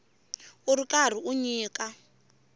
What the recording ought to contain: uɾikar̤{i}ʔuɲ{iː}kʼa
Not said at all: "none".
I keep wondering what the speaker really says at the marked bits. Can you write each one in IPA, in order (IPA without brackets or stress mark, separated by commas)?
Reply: i, iː